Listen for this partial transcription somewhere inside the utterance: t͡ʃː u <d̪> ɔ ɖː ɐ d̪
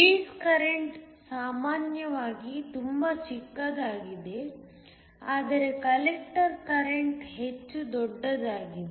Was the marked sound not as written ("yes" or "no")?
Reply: no